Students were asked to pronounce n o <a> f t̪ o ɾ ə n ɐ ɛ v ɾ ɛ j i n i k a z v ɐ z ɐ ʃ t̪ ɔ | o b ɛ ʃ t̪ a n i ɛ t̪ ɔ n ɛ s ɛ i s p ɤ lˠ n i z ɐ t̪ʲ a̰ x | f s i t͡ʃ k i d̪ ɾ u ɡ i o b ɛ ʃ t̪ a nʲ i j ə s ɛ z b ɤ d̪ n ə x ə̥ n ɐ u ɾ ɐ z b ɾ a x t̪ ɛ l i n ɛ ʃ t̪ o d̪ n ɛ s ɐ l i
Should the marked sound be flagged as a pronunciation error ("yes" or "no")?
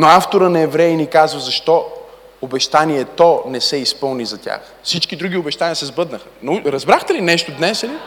no